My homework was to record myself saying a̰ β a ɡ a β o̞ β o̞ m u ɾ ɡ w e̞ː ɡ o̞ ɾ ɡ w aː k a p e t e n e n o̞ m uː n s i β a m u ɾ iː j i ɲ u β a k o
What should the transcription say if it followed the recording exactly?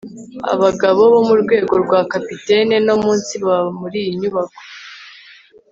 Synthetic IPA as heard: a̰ β a ɡ a β o̞ β o̞ m u ɾ ɡ w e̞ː ɡ o̞ ɾ ɡ w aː k a p i t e n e n o̞ m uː n s i β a m u ɾ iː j i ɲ u β a k o